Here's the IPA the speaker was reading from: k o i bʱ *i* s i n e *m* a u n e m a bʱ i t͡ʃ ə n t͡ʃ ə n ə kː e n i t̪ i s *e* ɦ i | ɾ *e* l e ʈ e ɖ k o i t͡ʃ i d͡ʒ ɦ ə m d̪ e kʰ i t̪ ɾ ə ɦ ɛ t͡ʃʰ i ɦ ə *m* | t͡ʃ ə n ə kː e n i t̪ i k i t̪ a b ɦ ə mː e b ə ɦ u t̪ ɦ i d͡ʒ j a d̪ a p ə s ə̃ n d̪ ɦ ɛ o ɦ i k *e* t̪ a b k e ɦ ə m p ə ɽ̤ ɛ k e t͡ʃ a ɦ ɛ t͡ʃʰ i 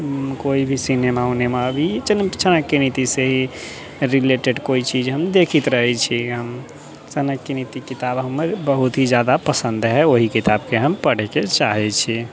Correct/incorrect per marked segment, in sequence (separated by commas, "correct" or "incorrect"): correct, correct, correct, incorrect, correct, incorrect